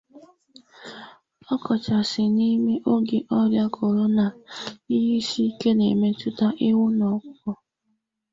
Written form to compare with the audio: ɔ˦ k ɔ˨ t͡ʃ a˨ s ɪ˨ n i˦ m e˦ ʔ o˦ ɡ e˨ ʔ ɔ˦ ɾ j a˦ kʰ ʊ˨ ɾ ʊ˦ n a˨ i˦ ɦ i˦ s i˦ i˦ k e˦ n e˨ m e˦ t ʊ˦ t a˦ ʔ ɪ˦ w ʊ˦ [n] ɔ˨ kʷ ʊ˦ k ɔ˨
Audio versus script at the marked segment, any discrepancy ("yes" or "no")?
no